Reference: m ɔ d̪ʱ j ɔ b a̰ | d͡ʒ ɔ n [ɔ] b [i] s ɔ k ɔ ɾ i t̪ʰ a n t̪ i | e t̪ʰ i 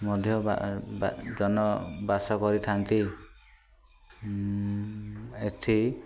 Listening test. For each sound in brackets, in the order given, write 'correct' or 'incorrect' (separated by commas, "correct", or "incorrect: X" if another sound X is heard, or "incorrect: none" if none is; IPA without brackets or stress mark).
correct, incorrect: a